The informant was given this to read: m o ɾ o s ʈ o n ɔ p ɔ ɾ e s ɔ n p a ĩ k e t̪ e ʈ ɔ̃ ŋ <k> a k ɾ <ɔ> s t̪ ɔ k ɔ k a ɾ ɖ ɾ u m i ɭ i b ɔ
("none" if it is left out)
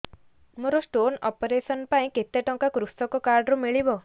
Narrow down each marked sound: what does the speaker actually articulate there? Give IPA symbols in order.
k, u

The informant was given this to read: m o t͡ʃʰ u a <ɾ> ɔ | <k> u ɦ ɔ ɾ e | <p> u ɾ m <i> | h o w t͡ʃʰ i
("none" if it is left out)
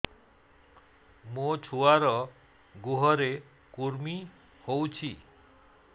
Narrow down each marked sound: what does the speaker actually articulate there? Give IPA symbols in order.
ɾ, ɡ, k, i

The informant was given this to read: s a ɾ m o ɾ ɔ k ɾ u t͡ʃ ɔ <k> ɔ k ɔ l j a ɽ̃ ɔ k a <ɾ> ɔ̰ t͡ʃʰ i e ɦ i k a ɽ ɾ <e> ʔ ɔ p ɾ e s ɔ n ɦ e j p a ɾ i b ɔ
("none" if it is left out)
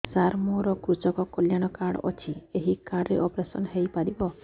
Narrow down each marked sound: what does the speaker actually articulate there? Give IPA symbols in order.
k, ɽ, e

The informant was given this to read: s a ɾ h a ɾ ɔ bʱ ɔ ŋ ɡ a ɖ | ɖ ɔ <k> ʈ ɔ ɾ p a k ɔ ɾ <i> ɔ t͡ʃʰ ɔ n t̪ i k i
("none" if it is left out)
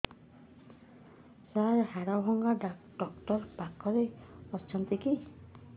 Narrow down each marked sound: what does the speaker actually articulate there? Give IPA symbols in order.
k, e

